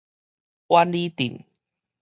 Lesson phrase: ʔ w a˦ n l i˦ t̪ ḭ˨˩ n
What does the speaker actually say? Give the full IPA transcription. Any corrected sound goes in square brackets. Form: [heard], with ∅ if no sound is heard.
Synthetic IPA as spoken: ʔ w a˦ n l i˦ t̪ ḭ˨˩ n